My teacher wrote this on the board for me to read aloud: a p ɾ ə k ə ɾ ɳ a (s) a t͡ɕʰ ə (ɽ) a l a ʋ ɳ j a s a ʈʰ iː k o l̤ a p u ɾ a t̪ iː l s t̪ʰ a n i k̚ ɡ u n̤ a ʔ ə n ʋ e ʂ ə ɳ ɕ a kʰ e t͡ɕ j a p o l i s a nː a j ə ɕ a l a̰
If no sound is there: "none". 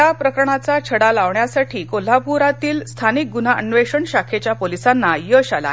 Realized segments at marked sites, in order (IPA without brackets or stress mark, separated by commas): t͡s, ɽ